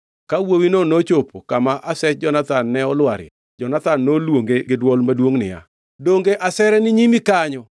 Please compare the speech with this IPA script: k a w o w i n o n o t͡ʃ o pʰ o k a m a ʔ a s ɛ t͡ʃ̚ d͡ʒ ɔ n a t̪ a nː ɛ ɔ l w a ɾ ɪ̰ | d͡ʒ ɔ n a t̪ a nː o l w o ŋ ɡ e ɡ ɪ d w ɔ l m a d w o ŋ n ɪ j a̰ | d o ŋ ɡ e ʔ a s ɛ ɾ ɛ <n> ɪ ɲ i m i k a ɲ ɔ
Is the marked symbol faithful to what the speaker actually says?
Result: yes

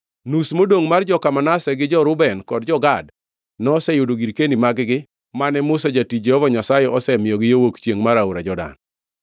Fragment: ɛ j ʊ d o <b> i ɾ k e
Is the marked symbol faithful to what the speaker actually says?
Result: no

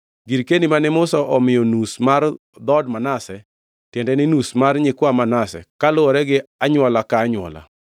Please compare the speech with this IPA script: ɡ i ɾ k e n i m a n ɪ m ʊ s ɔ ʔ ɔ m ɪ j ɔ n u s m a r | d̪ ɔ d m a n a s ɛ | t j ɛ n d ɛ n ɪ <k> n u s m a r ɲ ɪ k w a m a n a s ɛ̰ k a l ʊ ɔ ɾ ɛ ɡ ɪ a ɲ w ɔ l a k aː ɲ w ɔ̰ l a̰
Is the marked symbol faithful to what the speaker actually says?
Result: no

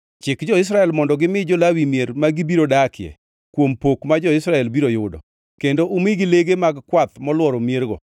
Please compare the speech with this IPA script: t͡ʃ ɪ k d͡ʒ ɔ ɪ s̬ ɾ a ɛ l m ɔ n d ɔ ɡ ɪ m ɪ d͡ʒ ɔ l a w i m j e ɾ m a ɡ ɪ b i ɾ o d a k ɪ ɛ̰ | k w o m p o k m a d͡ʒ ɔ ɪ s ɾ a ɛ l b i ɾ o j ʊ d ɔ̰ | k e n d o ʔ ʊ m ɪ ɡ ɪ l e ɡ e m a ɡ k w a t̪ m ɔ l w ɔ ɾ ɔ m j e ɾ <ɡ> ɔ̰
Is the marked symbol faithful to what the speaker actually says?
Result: yes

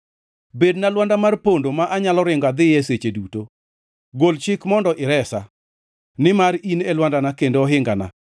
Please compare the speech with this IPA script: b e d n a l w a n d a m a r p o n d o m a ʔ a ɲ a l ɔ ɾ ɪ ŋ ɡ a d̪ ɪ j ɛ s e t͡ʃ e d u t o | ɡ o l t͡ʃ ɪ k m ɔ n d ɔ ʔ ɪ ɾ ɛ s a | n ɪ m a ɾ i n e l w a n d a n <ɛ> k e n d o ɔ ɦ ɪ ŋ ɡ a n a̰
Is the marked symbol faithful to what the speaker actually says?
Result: no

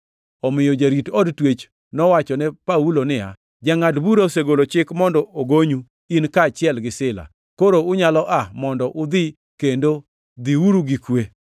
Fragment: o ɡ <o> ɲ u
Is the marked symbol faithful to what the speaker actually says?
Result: yes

